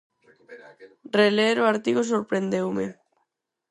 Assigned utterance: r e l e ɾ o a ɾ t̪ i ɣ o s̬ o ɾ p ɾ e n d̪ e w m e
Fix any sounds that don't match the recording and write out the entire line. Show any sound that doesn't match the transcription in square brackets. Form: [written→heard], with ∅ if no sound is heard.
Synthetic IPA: r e l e ɾ o a ɾ t̪ i ɣ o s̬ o ɾ p ɾ e n d̪ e w m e